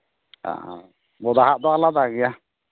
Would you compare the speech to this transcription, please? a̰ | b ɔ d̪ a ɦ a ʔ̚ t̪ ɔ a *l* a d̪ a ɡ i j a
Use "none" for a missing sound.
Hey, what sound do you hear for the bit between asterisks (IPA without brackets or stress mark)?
l